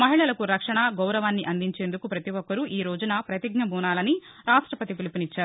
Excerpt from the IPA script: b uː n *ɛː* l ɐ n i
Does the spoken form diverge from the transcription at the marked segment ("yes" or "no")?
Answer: yes